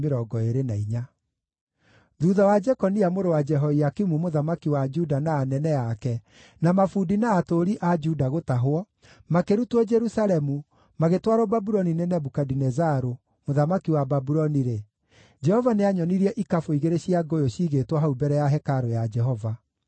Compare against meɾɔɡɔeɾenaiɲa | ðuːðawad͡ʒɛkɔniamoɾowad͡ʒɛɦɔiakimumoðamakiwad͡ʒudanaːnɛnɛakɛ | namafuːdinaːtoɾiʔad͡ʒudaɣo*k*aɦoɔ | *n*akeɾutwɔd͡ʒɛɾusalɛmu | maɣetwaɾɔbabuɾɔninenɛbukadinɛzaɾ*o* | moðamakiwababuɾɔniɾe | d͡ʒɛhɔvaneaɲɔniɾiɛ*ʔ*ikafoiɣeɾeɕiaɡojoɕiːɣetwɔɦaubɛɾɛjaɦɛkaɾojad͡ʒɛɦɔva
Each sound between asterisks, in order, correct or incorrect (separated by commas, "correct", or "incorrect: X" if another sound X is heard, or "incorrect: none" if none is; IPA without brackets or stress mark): incorrect: t, incorrect: m, correct, correct